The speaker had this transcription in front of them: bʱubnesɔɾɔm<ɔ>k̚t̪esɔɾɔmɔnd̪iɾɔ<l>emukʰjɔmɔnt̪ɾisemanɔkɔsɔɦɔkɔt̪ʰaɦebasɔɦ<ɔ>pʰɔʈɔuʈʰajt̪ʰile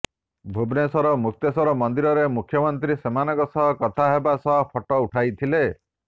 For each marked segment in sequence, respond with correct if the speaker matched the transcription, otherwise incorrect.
incorrect, incorrect, correct

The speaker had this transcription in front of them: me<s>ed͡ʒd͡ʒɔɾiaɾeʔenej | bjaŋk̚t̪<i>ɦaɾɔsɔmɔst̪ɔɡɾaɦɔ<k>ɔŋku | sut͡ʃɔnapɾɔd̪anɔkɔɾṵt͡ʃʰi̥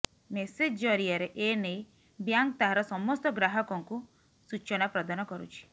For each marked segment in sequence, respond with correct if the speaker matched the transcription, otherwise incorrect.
correct, incorrect, correct

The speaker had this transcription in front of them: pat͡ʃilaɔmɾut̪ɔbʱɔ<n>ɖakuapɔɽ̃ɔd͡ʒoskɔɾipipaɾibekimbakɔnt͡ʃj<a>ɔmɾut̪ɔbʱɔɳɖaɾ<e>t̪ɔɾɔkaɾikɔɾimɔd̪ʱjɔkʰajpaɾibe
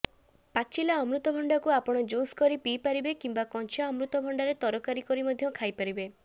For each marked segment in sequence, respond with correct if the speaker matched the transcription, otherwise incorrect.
incorrect, correct, correct

